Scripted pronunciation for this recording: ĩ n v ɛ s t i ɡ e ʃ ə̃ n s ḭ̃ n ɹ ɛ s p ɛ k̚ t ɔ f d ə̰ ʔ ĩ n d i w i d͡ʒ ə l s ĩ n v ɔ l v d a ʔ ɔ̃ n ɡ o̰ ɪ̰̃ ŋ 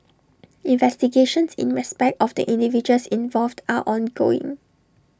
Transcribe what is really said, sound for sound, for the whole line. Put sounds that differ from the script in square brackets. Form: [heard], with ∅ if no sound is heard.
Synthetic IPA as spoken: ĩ n v ɛ s t i ɡ e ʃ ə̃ n s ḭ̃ n ɹ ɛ s p ɛ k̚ t ɔ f d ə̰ ʔ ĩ n d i [v] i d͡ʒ ə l s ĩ n v ɔ l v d a ʔ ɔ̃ n ɡ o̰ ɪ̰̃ ŋ